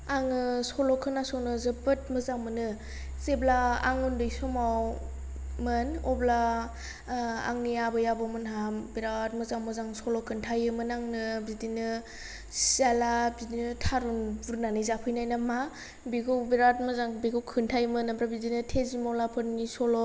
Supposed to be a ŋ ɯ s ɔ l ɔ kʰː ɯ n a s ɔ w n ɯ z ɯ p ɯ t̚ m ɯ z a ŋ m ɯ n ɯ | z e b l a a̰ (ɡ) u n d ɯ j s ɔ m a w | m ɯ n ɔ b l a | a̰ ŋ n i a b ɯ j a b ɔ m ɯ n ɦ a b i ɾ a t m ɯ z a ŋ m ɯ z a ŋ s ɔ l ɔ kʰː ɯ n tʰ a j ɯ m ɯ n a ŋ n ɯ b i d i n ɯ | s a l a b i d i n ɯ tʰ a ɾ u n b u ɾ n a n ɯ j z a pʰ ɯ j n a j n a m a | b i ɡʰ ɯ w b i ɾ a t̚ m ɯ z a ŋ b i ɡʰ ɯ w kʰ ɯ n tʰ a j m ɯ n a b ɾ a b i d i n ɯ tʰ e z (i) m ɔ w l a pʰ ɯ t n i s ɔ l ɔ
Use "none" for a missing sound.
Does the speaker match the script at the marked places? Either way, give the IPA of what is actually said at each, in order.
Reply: ŋ, i

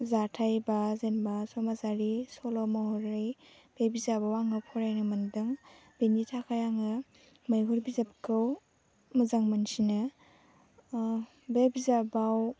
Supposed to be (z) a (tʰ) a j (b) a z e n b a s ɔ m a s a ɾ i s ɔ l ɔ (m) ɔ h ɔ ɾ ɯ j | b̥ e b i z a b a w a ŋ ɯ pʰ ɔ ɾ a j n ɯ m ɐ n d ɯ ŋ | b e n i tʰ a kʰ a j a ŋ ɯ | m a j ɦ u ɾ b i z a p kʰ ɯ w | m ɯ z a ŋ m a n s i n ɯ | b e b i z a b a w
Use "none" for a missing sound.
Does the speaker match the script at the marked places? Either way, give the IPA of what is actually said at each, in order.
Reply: z, tʰ, b, m

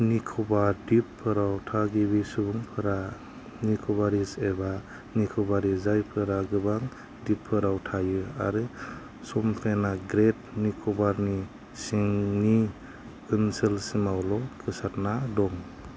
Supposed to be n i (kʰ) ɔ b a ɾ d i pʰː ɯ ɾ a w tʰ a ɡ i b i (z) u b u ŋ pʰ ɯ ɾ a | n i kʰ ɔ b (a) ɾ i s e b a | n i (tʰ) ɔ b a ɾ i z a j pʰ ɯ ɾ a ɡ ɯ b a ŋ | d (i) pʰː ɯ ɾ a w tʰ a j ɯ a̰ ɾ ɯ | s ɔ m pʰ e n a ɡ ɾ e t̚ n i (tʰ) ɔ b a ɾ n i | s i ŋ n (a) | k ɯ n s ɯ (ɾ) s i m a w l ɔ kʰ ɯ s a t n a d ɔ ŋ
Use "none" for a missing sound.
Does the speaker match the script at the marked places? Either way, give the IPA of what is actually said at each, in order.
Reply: kʰ, s, a, kʰ, i, kʰ, i, l

